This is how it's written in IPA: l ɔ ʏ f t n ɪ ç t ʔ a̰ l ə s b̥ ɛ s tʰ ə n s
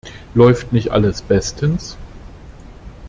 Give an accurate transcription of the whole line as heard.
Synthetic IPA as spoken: l ɔ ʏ f t n ɪ ç t ʔ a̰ l ə s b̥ ɛ s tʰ ə n s